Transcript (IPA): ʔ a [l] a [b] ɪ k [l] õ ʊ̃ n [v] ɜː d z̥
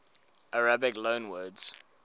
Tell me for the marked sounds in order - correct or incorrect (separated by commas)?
incorrect, correct, correct, incorrect